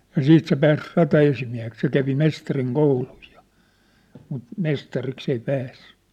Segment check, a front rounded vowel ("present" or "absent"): present